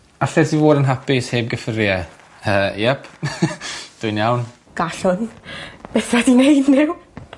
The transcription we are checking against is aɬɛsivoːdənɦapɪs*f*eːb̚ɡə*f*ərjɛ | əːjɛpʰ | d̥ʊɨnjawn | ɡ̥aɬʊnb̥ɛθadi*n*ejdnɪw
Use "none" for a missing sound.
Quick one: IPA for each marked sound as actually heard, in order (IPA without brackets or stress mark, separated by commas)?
h, f, n